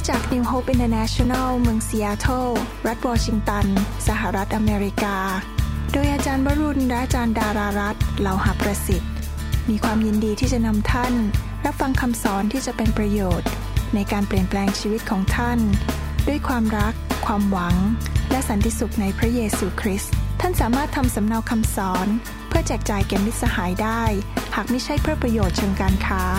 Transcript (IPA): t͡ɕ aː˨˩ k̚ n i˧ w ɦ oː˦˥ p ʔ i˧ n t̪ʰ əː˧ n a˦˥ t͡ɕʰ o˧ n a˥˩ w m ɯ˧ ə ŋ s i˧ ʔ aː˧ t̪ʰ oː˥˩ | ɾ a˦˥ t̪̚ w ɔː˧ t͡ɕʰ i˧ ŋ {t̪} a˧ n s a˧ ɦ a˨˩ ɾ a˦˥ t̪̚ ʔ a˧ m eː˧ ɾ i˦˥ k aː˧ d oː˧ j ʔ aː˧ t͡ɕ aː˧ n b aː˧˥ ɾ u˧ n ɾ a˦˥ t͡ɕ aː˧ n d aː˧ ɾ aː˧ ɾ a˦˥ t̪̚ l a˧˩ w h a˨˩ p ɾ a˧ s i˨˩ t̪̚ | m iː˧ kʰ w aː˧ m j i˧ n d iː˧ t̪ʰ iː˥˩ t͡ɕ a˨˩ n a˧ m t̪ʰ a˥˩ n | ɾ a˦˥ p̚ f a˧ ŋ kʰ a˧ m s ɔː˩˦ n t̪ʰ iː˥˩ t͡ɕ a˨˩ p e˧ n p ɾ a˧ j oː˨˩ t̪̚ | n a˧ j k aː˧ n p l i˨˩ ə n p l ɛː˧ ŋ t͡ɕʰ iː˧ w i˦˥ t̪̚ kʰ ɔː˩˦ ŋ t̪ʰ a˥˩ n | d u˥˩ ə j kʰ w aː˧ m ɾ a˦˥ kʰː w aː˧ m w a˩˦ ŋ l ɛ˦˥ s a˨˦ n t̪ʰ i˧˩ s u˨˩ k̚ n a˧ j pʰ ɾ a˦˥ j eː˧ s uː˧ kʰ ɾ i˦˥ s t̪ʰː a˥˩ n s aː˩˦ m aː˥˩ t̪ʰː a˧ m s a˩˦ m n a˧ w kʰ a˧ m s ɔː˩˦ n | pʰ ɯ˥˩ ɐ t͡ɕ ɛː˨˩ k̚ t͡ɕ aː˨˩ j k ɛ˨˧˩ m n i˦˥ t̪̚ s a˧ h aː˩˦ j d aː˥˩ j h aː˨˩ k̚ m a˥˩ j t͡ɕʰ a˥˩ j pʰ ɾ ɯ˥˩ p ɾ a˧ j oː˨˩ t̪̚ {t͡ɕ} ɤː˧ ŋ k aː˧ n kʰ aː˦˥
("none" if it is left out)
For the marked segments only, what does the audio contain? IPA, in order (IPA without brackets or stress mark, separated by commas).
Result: t̪, t͡ɕʰ